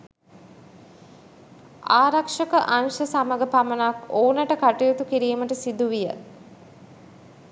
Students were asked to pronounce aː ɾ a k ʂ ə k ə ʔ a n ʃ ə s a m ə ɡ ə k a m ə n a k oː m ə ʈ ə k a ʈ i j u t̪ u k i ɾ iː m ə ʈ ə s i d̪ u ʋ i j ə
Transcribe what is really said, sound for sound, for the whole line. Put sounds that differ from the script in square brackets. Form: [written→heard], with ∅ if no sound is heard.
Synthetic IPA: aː ɾ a k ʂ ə k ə ʔ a n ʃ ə s a m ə ɡ ə [k→p] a m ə n a k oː [m→n] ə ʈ ə k a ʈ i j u t̪ u k i ɾ iː m ə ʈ ə s i d̪ u ʋ i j ə